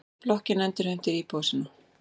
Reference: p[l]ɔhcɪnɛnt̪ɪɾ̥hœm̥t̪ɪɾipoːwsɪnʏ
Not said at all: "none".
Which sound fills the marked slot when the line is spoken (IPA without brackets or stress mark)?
l